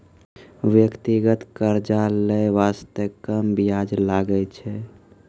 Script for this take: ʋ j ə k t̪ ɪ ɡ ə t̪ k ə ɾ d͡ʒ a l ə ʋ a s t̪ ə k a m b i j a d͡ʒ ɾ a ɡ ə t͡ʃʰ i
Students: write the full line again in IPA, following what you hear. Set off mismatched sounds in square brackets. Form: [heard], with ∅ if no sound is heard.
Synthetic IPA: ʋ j ə k t̪ [i] ɡ ə t̪ k ə ɾ d͡ʒ a l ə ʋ a s t̪ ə k [ə] m b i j a d͡ʒ [l] a ɡ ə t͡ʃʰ [ɛ]